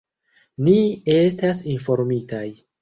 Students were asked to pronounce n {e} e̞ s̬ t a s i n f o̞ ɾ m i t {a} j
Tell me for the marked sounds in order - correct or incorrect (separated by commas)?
incorrect, correct